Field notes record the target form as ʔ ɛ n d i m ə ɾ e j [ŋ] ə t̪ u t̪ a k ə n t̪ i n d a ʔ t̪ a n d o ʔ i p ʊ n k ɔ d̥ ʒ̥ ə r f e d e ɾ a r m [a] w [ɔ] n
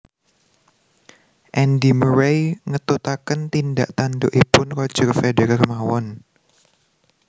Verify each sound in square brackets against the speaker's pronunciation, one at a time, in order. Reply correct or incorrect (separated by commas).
correct, correct, correct